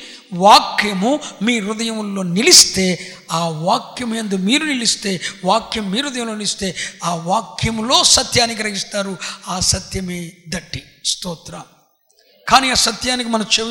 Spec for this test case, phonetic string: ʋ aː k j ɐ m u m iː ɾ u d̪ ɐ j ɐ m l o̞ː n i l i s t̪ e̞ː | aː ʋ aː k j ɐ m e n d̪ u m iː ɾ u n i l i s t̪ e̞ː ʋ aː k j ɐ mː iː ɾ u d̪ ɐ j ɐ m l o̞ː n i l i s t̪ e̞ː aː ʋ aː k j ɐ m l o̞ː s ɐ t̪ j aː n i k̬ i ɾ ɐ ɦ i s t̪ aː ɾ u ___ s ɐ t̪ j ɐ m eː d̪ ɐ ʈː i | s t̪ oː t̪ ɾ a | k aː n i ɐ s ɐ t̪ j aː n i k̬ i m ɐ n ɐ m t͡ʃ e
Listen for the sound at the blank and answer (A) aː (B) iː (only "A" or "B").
A